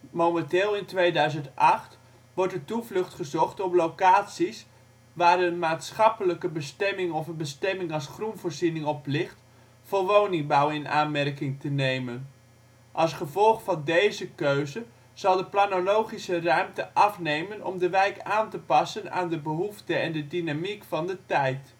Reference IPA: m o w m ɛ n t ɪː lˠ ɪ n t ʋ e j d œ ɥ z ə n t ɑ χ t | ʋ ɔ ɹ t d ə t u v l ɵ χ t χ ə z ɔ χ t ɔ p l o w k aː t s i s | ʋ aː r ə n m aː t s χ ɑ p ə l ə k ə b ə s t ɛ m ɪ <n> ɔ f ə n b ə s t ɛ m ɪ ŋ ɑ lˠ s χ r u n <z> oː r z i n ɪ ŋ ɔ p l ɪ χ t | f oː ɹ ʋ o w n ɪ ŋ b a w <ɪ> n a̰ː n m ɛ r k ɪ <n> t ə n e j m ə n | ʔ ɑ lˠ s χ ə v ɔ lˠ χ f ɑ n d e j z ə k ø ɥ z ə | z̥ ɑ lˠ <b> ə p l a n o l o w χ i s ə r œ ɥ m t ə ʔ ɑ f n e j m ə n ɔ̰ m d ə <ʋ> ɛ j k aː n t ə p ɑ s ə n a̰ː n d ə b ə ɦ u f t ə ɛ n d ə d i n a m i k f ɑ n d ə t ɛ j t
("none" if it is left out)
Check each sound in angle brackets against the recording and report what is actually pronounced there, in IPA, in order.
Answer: ŋ, v, ɪ, ŋ, d, ʋ

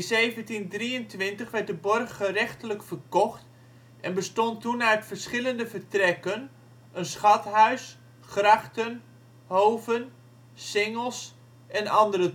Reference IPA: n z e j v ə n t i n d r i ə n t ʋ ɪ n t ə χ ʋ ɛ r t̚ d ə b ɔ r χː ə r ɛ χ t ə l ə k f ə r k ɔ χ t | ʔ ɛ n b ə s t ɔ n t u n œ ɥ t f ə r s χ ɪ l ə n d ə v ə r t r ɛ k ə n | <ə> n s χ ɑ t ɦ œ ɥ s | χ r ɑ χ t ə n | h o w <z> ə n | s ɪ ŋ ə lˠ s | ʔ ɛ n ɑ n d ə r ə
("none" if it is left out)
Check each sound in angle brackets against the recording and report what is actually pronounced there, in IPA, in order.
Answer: ə, v

